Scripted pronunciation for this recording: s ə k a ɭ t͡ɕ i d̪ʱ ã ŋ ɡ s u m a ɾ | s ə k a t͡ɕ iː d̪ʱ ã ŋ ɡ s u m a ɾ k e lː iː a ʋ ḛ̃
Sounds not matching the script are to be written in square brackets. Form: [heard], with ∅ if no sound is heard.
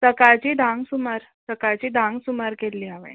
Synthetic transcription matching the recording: s ə k a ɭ t͡ɕ i d̪ʱ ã ŋ ɡ s u m a ɾ | s ə k a t͡ɕ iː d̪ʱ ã ŋ ɡ s u m a ɾ k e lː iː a ʋ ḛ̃